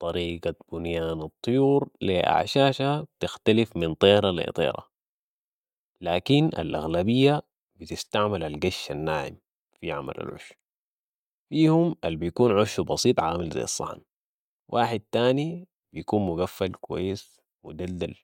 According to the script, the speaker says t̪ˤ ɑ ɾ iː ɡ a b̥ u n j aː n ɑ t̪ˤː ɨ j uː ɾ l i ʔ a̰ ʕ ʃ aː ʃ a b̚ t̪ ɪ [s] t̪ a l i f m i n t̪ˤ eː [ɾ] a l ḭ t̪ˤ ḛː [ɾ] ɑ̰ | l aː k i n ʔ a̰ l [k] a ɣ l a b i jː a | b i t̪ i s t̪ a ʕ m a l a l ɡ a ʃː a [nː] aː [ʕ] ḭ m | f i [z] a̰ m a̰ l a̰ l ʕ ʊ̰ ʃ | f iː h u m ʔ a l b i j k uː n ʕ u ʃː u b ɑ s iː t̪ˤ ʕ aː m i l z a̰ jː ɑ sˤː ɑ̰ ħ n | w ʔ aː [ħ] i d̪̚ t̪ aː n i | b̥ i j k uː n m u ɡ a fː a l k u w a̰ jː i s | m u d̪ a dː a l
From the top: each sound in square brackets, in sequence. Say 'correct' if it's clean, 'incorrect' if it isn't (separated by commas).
incorrect, correct, correct, incorrect, correct, correct, incorrect, correct